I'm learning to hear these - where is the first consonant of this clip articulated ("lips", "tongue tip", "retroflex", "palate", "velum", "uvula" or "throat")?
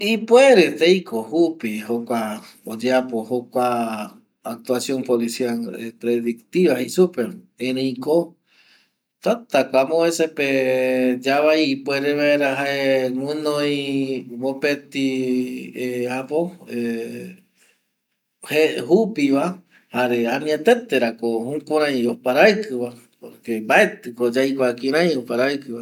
lips